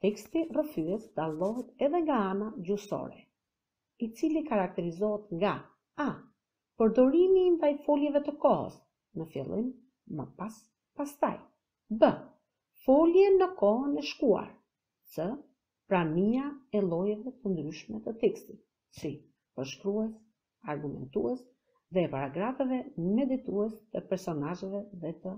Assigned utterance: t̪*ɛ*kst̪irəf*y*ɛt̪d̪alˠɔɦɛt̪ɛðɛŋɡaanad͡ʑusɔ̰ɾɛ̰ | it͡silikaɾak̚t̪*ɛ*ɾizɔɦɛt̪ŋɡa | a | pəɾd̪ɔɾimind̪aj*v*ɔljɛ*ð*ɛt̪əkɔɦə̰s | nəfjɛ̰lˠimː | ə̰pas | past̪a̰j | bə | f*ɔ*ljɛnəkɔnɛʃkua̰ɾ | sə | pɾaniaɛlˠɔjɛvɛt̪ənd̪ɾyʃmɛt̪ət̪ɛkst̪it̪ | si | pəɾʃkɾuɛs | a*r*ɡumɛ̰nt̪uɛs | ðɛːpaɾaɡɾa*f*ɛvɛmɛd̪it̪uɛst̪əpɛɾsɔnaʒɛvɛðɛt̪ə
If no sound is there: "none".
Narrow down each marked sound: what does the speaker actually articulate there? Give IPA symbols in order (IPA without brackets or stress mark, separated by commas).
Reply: ɛ, y, ɛ, f, v, ɔ, ɾ, f